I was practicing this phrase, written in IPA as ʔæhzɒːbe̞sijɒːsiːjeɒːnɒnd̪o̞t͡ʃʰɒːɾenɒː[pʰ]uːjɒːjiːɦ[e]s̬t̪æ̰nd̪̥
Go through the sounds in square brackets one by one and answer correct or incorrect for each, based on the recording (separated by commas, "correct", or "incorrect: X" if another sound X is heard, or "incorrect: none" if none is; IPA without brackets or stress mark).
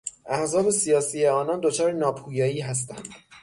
correct, incorrect: æ